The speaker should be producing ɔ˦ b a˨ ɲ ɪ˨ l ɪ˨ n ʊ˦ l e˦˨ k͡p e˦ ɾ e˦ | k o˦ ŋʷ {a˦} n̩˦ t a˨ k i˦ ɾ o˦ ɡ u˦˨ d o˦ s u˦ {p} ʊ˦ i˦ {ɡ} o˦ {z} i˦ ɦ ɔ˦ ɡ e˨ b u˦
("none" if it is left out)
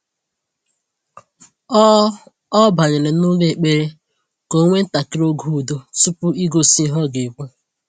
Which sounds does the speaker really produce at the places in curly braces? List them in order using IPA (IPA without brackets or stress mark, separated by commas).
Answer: e˦, p, ɡ, s